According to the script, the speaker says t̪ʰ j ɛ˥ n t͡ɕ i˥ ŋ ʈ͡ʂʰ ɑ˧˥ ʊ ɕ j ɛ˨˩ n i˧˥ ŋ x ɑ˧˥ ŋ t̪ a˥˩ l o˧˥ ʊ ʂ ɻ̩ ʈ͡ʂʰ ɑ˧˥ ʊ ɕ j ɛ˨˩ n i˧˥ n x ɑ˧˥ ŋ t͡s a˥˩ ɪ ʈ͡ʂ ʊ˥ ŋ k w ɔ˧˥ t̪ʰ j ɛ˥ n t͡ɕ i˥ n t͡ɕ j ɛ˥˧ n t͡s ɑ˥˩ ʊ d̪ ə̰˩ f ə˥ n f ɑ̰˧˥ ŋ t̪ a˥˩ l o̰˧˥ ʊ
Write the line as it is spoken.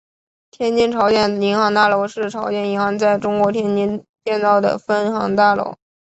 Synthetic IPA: t̪ʰ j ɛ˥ n t͡ɕ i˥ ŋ ʈ͡ʂʰ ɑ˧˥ ʊ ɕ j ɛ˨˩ n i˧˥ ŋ x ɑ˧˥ ŋ t̪ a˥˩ l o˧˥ ʊ ʂ ɻ̩ ʈ͡ʂʰ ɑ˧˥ ʊ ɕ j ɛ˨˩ n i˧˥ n x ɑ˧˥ ŋ t͡s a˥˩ ɪ ʈ͡ʂ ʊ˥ ŋ k w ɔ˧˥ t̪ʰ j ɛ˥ n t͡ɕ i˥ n t͡ɕ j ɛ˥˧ n t͡s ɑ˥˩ ʊ d̪ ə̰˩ f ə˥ n x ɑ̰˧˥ ŋ t̪ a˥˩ l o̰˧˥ ʊ